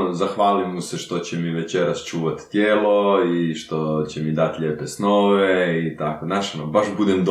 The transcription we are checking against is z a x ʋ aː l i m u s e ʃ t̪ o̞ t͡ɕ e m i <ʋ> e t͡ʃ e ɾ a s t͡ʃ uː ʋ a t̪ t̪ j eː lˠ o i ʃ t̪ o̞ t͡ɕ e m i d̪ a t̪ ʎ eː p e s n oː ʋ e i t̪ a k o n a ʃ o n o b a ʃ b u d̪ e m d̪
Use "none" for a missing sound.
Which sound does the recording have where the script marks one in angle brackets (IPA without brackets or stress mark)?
ʋ